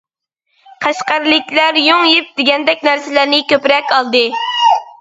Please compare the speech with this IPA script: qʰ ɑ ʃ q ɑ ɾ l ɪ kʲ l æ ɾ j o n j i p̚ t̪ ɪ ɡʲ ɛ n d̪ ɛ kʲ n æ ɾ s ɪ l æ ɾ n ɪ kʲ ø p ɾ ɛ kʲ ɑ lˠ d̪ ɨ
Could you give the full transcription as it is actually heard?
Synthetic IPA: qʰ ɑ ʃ q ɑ ɾ l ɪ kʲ l æ ɾ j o ŋ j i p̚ d̪ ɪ ɡʲ ɛ n d̪ ɛ kʲ n æ ɾ s ɪ l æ ɾ n ɪ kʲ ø p ɾ ɛ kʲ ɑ lˠ d̪ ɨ